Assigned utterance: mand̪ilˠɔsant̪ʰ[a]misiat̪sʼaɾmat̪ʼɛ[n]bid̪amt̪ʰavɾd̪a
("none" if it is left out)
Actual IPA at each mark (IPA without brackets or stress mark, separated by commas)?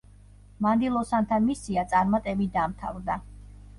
a, none